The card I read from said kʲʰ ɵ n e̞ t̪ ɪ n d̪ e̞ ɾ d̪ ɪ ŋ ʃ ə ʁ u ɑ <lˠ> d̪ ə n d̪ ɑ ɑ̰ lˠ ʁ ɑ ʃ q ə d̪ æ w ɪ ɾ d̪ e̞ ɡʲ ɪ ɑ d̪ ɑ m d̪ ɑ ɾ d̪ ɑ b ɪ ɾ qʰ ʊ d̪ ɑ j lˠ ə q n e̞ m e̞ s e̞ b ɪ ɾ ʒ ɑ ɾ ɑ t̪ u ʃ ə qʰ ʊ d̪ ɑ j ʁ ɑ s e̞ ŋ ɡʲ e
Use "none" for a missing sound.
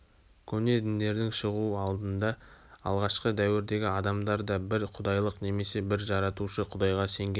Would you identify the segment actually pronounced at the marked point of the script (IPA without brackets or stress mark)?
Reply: lˠ